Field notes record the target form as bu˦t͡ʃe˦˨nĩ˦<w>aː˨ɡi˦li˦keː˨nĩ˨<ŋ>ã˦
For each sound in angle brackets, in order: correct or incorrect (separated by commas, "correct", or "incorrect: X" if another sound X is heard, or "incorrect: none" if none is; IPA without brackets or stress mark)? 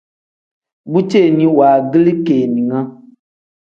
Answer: correct, correct